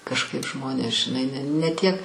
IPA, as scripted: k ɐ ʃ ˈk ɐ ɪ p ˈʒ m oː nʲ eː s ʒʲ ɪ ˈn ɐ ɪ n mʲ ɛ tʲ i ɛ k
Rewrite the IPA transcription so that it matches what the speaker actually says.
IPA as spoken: k ɐ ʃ ˈk ɐ ɪ p ˈʒ m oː nʲ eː s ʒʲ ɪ ˈn ɐ ɪ n nʲ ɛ tʲ i ɛ k